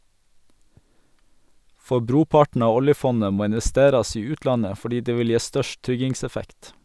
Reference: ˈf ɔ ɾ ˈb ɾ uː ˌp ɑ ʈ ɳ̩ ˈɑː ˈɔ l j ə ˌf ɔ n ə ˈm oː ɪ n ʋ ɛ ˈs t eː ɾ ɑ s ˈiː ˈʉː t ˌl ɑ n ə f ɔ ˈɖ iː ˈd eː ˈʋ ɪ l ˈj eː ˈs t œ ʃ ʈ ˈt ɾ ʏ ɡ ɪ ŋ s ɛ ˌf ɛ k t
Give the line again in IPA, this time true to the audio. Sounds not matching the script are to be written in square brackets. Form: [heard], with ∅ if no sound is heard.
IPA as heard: ˈf ɔ [∅] ˈb ɾ uː ˌp ɑ ʈ ɳ̩ ˈɑː ˈɔ l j ə ˌf ɔ n ə ˈm oː ɪ n ʋ ɛ ˈs t eː ɾ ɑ s ˈiː ˈʉː t ˌl ɑ n ə f ɔ ˈɖ iː ˈd eː ˈʋ ɪ l ˈj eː ˈs t œ ʃ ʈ ˈt ɾ ʏ ɡ ɪ ŋ s ɛ ˌf ɛ k t